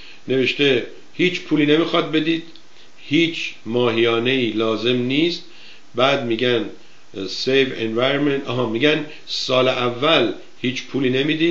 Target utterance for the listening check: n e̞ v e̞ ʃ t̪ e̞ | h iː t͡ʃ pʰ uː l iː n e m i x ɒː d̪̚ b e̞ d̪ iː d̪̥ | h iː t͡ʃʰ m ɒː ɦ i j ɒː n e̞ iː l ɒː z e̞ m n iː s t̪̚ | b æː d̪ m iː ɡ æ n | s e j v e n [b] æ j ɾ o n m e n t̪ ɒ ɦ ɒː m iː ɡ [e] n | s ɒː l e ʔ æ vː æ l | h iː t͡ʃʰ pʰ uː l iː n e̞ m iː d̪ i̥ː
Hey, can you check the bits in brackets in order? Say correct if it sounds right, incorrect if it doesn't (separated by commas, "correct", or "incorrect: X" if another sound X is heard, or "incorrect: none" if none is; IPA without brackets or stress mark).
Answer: incorrect: v, incorrect: æ